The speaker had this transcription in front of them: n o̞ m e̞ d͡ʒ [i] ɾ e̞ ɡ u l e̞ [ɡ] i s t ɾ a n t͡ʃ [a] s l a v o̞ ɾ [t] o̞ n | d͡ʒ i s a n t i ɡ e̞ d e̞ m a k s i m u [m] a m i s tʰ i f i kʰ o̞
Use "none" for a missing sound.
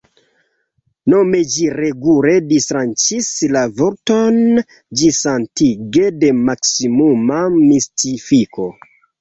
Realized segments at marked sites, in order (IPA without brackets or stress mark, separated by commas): i, d, i, t, m